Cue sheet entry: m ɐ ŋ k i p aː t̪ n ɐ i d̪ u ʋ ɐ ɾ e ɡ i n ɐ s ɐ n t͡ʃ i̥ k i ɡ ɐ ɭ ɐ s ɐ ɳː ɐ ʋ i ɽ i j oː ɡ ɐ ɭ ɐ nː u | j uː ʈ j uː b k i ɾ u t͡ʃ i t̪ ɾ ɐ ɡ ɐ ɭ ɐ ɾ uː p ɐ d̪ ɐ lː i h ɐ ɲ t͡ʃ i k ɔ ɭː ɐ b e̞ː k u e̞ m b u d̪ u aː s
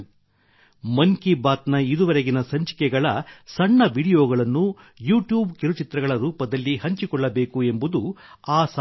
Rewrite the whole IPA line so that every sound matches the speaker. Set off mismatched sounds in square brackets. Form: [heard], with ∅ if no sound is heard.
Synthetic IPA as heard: m ɐ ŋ k i [b] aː t̪ n ɐ i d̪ u ʋ ɐ ɾ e ɡ i n ɐ s ɐ [ɲ] t͡ʃ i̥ k [ɛ] ɡ ɐ ɭ ɐ s ɐ ɳː ɐ ʋ i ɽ i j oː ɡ ɐ ɭ ɐ nː u | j uː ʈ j uː b k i ɾ u t͡ʃ i t̪ ɾ ɐ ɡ ɐ ɭ ɐ ɾ uː p ɐ d̪ ɐ lː i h ɐ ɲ t͡ʃ i k ɔ ɭː ɐ b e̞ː k u e̞ m b u d̪ u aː s

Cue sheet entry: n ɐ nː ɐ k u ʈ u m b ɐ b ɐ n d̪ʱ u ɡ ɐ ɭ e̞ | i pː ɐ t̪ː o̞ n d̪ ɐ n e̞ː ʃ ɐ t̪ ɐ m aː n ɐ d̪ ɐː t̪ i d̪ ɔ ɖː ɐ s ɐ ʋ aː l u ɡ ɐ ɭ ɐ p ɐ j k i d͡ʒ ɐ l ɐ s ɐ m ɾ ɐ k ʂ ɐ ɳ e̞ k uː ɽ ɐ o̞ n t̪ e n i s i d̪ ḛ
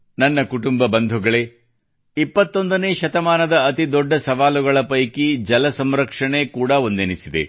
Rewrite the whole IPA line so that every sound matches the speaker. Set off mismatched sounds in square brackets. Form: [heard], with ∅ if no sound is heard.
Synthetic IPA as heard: n ɐ nː ɐ k u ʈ u m b ɐ b ɐ n d̪ʱ u ɡ ɐ ɭ e̞ | i pː ɐ t̪ː o̞ n d̪ ɐ n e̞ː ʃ ɐ t̪ ɐ m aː n ɐ d̪ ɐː t̪ i d̪ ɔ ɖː ɐ s ɐ ʋ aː l u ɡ ɐ ɭ ɐ p ɐ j k i d͡ʒ ɐ l ɐ s ɐ m ɾ ɐ k ʂ ɐ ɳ e̞ k uː ɽ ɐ o̞ n [d̪] e n i s i d̪ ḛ

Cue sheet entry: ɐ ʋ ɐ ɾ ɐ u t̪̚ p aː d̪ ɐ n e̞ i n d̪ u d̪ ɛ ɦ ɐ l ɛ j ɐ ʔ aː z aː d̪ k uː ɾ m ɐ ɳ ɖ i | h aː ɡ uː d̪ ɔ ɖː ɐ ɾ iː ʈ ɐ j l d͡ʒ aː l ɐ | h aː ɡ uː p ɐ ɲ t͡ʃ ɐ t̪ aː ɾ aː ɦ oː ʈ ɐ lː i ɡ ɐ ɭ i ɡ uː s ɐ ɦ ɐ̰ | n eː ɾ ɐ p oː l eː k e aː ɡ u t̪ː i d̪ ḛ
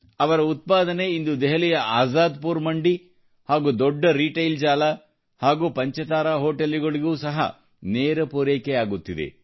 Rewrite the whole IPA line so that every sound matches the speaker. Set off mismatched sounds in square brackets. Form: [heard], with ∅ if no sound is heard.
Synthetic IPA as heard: ɐ ʋ ɐ ɾ ɐ u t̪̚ p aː d̪ ɐ n e̞ i n d̪ u d̪ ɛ ɦ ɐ l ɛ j ɐ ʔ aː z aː d̪ [p] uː ɾ m ɐ ɳ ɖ i | h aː ɡ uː d̪ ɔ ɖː ɐ ɾ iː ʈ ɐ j l d͡ʒ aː l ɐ | h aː ɡ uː p ɐ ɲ t͡ʃ ɐ t̪ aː ɾ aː ɦ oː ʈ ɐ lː i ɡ ɐ ɭ i ɡ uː s ɐ ɦ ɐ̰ | n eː ɾ ɐ p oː [ɾ] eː k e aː ɡ u t̪ː i d̪ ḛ

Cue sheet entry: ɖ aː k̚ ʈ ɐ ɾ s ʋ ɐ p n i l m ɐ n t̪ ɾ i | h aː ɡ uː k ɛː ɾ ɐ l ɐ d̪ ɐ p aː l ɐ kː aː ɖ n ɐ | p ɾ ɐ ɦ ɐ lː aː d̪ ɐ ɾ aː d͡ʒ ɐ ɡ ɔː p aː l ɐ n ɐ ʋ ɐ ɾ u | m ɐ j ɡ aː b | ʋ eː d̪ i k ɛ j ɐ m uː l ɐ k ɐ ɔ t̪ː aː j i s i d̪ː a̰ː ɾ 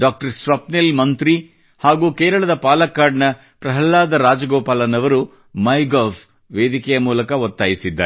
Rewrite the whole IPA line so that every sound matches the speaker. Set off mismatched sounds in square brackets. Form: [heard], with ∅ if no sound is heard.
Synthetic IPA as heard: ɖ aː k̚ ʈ ɐ ɾ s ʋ ɐ p n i l m ɐ n t̪ ɾ i | h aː ɡ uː k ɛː ɾ ɐ [ɭ] ɐ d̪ ɐ p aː l ɐ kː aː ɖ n ɐ | p ɾ ɐ ɦ ɐ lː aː d̪ ɐ ɾ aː d͡ʒ ɐ ɡ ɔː p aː l ɐ n ɐ ʋ ɐ ɾ u | m ɐ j ɡ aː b | ʋ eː d̪ i k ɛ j ɐ m uː l ɐ k ɐ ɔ t̪ː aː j i s i d̪ː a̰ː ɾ

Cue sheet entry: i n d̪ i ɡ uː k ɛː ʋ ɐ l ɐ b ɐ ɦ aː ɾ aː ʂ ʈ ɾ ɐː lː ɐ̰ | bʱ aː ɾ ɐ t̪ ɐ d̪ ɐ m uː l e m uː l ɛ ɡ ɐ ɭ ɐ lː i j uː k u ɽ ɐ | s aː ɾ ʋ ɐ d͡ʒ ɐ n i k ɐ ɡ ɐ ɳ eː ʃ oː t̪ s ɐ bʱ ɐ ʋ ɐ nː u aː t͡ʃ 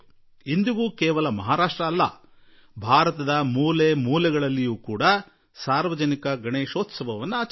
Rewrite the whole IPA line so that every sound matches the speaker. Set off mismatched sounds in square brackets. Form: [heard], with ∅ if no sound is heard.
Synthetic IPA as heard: i n d̪ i ɡ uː k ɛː ʋ ɐ l ɐ [m] ɐ ɦ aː ɾ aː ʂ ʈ ɾ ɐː lː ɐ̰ | bʱ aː ɾ ɐ t̪ ɐ d̪ ɐ m uː l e m uː l ɛ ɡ ɐ ɭ ɐ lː i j uː k [uː] ɽ ɐ | s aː ɾ ʋ ɐ d͡ʒ ɐ n i k ɐ ɡ ɐ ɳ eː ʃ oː t̪ s ɐ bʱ ɐ ʋ ɐ nː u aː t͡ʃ

